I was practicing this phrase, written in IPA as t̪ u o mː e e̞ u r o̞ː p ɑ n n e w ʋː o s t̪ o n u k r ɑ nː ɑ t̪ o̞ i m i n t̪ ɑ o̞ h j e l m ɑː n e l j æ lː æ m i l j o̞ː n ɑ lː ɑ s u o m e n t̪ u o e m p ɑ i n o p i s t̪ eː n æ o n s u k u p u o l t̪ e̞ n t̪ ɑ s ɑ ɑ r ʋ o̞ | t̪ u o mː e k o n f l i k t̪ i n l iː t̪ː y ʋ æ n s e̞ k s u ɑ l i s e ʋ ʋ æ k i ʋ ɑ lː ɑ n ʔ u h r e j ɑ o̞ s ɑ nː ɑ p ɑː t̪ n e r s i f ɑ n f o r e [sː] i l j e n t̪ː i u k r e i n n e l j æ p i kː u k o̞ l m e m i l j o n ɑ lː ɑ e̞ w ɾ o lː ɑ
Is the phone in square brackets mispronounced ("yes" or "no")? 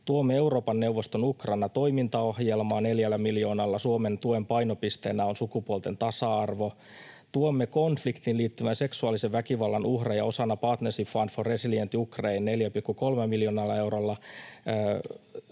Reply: yes